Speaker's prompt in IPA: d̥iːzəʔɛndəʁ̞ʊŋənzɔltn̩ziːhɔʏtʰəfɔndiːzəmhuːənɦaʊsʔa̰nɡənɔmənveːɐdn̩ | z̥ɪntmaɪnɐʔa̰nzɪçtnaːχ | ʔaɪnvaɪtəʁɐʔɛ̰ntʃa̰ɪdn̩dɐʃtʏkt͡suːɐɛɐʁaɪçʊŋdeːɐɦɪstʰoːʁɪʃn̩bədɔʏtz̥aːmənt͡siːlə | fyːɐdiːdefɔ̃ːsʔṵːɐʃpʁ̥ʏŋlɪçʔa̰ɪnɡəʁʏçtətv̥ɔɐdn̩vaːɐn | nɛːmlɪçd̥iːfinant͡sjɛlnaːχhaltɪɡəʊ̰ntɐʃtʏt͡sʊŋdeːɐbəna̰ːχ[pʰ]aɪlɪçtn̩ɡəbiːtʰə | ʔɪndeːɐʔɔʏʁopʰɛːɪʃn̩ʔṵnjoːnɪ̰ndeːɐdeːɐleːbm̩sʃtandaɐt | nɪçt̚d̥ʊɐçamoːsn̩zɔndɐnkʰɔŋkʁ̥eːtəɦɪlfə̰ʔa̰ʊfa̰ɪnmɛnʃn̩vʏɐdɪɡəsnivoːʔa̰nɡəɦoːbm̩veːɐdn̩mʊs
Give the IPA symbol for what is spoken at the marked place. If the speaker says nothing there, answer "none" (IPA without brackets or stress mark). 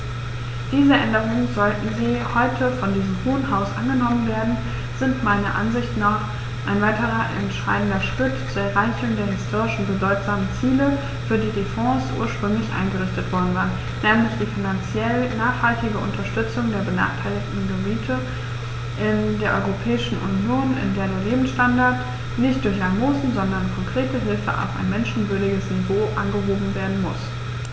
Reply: tʰ